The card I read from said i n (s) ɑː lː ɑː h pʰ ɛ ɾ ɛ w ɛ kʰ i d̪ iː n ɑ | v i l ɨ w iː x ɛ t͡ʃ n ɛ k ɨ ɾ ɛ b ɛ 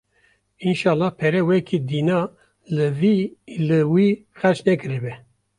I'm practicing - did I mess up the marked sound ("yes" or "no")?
yes